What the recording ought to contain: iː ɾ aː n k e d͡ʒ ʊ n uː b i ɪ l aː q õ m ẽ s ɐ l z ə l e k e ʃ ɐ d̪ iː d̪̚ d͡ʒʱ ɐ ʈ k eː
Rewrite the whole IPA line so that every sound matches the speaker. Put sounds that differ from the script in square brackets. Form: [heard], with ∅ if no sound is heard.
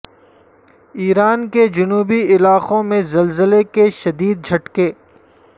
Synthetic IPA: iː ɾ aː n k e d͡ʒ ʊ n uː b i ɪ l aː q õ m ẽ [z] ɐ l z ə l e k e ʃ ɐ d̪ iː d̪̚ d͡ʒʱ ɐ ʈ k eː

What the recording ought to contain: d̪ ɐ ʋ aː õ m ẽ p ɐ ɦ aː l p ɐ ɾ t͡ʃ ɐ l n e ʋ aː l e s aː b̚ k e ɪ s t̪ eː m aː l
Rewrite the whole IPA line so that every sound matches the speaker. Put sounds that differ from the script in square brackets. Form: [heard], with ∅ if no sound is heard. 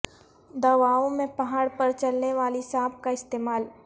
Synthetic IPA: d̪ ɐ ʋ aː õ m ẽ p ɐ ɦ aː [ɽ] p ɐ ɾ t͡ʃ ɐ l n e ʋ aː l [i] s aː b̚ k [a] ɪ s t̪ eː m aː l

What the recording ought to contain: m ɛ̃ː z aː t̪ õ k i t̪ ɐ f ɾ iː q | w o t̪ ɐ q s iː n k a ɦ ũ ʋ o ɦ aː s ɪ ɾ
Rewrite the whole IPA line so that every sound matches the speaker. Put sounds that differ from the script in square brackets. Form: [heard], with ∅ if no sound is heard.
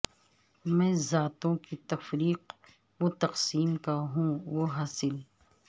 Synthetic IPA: m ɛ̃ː z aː t̪ õ k i t̪ ɐ f ɾ iː q | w o t̪ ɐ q s iː [m] k a ɦ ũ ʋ o ɦ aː s ɪ [l]

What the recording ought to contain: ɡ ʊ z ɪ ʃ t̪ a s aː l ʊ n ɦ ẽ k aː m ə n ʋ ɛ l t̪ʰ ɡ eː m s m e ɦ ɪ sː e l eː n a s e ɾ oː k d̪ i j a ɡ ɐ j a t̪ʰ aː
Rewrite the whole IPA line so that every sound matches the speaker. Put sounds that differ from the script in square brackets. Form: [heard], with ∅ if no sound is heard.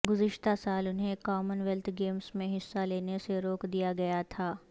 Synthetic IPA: ɡ ʊ z ɪ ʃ t̪ a s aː l ʊ n ɦ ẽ k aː m ə n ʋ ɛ l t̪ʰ ɡ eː m s m [ẽ] ɦ ɪ sː [a] l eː n [e] s e ɾ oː k d̪ i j a ɡ ɐ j a t̪ʰ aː

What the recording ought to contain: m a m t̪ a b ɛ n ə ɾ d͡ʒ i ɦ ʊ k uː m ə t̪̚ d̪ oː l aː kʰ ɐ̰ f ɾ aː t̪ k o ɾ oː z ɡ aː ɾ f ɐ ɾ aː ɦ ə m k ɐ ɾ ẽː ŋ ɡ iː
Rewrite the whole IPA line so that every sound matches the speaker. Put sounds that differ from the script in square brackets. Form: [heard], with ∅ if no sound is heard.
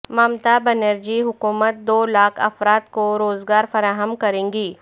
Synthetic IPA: m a m t̪ a b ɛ n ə ɾ d͡ʒ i ɦ ʊ k uː m ə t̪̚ d̪ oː l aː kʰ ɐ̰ f ɾ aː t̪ k o ɾ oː z ɡ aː ɾ f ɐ ɾ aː ɦ ə m k ɐ ɾ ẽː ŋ ɡ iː

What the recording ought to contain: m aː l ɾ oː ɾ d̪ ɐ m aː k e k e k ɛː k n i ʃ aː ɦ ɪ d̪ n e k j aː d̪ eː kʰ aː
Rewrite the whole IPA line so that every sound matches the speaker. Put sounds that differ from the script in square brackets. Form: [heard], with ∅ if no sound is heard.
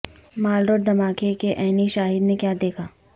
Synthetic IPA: m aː l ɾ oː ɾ d̪ ɐ m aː k e k e [ʔ] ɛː [∅] n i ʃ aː ɦ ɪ d̪ n e k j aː d̪ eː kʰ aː

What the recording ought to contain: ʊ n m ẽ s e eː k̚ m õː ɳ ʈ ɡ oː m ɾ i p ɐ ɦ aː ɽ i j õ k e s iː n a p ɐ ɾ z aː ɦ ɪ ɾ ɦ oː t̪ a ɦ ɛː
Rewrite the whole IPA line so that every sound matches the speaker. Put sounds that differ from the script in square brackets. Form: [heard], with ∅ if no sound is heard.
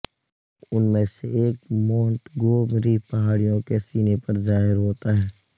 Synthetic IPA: ʊ n m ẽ s e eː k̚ m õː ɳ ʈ ɡ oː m ɾ i p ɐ ɦ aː ɽ i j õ k e s iː n [e] p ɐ ɾ z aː ɦ ɪ ɾ ɦ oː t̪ a ɦ ɛː

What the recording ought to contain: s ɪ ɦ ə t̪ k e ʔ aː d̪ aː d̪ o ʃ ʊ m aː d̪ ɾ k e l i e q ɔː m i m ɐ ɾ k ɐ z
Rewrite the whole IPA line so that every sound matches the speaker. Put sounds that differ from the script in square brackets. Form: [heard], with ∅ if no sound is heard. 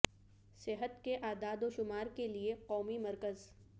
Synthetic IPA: s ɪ ɦ ə t̪ k e ʔ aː d̪ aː d̪ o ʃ ʊ m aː [∅] ɾ k e l i e q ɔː m i m ɐ ɾ k [ə] z

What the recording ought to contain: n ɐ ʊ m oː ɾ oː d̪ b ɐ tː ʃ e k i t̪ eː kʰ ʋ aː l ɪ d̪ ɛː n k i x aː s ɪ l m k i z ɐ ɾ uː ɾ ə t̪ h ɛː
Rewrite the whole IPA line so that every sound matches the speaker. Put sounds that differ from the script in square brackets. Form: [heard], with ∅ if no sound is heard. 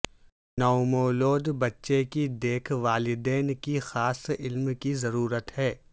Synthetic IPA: n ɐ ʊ m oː [l] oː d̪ b ɐ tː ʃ e k i [d̪] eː kʰ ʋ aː l ɪ d̪ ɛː n k i x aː s ɪ l m k i z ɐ ɾ uː ɾ ə t̪ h ɛː

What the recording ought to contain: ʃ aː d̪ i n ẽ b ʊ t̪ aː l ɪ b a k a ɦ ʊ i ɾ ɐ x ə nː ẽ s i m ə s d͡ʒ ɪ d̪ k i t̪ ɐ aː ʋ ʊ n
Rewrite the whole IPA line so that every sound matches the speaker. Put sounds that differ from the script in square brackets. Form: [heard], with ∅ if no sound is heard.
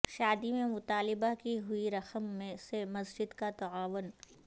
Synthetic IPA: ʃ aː d̪ i [m] ẽ [m] ʊ t̪ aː l ɪ b a k [i] ɦ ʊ i ɾ ɐ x ə [mː] ẽ s [e] m [ɐ] s d͡ʒ ɪ d̪ k [a] t̪ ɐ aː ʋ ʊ n

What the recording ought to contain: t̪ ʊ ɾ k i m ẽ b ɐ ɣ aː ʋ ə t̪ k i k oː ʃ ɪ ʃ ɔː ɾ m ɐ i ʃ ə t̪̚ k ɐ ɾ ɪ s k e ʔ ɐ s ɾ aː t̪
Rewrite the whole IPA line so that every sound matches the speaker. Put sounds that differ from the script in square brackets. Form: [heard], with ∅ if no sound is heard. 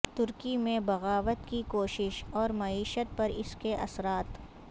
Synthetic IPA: t̪ ʊ ɾ k i m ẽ b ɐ ɣ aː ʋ ə t̪ k i k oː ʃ ɪ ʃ ɔː ɾ m ɐ [iː] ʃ ə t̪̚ [p] ɐ ɾ ɪ s k e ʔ ɐ s ɾ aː t̪

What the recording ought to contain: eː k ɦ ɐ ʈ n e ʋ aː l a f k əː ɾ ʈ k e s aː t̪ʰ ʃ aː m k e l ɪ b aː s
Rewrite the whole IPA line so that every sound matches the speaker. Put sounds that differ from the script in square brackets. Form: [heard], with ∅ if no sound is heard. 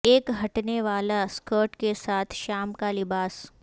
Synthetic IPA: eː k ɦ ɐ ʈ n e ʋ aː l a [s] k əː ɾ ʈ k e s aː t̪ʰ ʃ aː m k [a] l ɪ b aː s

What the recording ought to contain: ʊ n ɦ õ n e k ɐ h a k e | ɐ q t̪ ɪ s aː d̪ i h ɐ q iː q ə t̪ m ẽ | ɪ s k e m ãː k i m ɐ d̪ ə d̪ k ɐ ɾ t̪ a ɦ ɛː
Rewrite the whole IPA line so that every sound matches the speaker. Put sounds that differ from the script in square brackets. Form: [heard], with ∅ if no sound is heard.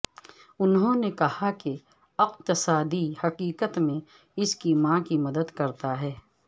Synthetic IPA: ʊ n ɦ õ n e k ɐ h a k e | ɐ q t̪ ɪ s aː d̪ i h ɐ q iː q ə t̪ m ẽ | ɪ s k [i] m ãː k i m ɐ d̪ ə d̪ k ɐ ɾ t̪ a ɦ ɛː

